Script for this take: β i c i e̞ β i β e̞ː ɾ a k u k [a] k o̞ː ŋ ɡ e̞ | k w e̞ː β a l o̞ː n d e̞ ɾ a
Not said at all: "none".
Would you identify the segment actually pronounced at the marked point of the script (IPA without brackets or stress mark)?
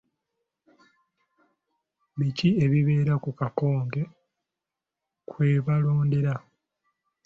a